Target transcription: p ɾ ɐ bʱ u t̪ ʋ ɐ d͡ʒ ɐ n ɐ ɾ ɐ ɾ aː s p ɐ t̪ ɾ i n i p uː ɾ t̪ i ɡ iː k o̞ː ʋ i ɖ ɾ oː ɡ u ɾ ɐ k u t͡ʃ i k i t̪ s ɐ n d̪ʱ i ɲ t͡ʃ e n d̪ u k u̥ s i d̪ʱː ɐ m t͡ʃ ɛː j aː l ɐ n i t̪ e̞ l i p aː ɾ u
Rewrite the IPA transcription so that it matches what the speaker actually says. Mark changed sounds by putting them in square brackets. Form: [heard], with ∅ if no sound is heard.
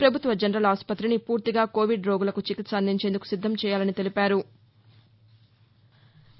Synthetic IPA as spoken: p ɾ ɐ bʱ u t̪ ʋ ɐ d͡ʒ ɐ n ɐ ɾ ɐ [l] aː s p ɐ t̪ ɾ i n i p uː ɾ t̪ i ɡ [aː] k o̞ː ʋ i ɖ ɾ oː ɡ u [l] ɐ k u t͡ʃ i k i t̪ s ɐ n d̪ʱ i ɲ t͡ʃ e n d̪ u k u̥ s i d̪ʱː ɐ m t͡ʃ ɛː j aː l ɐ n i t̪ e̞ l i p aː ɾ u